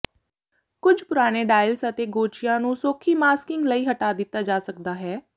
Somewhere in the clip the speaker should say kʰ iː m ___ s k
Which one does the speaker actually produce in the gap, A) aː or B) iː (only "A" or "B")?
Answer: A